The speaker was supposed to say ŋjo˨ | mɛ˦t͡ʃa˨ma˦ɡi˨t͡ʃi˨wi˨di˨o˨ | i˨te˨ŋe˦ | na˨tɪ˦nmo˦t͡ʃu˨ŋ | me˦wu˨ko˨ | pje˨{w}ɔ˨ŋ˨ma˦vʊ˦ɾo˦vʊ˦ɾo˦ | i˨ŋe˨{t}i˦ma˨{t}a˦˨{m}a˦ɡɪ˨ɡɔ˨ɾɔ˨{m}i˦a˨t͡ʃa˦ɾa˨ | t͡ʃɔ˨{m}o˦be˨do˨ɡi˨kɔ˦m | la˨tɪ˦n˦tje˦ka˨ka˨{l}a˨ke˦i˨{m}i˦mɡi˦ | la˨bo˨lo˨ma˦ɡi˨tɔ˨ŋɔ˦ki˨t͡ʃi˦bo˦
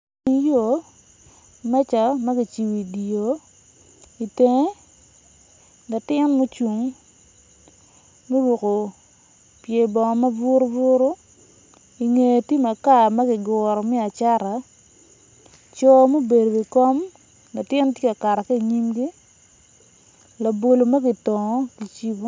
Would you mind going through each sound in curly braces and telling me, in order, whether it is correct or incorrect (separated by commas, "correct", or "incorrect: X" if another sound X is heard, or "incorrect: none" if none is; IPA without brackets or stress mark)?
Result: incorrect: b, correct, incorrect: k, correct, correct, correct, incorrect: ɾ, incorrect: ɲ